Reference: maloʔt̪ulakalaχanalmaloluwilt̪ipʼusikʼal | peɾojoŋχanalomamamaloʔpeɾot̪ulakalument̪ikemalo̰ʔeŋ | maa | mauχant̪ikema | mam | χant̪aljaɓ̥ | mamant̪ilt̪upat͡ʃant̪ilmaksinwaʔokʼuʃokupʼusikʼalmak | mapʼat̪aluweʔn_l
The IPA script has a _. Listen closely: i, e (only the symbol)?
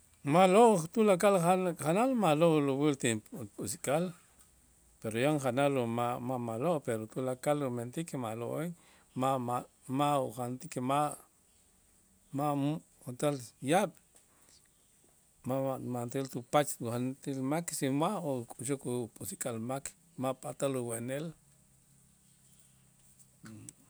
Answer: e